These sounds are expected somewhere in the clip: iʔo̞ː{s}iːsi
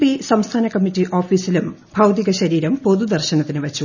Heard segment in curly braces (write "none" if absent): f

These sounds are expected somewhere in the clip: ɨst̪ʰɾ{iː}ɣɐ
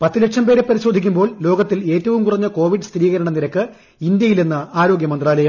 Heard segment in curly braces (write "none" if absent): iː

